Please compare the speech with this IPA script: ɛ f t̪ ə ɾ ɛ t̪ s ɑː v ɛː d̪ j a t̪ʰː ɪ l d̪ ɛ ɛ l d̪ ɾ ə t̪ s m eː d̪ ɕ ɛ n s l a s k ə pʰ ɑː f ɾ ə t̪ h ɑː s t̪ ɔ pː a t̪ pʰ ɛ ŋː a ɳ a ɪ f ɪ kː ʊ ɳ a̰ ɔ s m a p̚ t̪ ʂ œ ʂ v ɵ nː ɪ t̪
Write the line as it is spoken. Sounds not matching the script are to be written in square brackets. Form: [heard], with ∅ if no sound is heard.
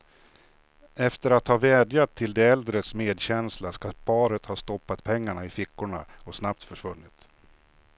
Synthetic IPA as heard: ɛ f t̪ ə ɾ [a] t̪ [h] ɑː v ɛː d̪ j a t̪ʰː ɪ l d̪ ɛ ɛ l d̪ ɾ ə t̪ s m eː d̪ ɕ ɛ n s l a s k [a] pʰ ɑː [∅] ɾ ə t̪ h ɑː s t̪ ɔ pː a t̪ pʰ ɛ ŋː a ɳ a ɪ f ɪ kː ʊ ɳ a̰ ɔ s [n] a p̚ t̪ [f] œ ʂ v ɵ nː ɪ t̪